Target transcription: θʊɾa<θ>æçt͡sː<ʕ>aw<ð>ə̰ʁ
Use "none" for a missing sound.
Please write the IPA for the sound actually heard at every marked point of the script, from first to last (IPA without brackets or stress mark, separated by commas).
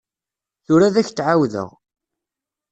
ð, ʕ, ð